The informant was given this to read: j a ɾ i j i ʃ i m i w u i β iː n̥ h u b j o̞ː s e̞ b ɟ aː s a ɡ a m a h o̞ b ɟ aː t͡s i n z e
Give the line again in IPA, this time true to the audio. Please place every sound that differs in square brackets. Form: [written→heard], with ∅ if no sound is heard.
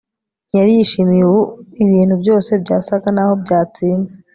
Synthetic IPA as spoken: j a ɾ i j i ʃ i m i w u i β iː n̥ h u b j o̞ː s e̞ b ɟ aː s a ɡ a [m→n] a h o̞ b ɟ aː t͡s [i→iː] n z e